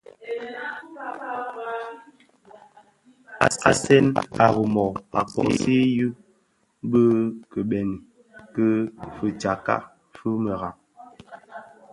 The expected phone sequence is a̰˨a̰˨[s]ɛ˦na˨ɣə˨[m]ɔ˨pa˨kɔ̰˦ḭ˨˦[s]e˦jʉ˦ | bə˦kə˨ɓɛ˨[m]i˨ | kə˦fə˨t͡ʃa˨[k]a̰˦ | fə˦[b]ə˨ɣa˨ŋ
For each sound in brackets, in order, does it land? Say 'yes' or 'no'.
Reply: yes, yes, yes, no, yes, no

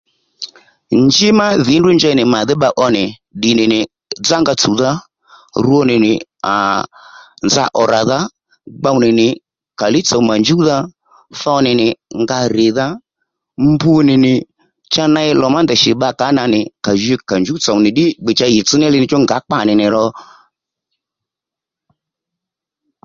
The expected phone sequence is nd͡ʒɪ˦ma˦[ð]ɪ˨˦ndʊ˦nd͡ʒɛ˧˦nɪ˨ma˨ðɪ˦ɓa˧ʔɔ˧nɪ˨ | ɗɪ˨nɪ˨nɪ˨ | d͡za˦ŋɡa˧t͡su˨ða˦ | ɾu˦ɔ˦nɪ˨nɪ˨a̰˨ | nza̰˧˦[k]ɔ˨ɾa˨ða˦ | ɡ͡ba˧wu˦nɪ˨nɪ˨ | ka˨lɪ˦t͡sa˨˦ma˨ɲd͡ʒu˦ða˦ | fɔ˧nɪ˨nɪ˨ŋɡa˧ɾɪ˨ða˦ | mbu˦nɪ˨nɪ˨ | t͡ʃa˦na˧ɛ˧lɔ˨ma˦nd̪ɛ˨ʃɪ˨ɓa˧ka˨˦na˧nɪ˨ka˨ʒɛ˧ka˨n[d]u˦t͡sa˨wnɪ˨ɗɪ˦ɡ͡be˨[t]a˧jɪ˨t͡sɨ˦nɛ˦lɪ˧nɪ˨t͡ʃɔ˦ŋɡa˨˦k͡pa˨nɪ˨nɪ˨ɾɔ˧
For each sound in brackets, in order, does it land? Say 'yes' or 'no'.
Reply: yes, no, no, no

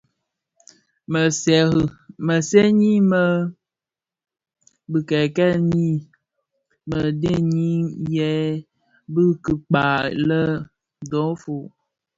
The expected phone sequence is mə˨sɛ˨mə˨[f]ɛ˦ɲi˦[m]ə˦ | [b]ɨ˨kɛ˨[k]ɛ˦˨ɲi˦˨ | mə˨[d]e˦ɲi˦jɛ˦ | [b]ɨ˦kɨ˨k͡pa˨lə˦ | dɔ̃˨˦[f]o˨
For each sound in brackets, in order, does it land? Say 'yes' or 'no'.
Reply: no, yes, yes, yes, yes, yes, yes

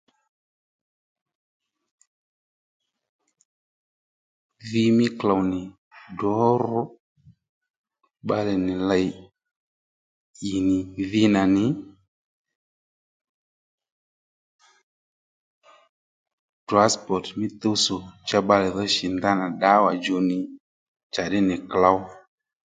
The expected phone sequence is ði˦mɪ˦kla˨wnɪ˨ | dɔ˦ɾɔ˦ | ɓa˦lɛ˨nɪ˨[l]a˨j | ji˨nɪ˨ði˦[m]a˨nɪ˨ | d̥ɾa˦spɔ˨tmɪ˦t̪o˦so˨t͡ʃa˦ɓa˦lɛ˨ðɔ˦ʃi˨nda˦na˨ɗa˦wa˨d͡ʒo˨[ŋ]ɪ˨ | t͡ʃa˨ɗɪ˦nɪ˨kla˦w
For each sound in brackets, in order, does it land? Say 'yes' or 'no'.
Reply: yes, no, no

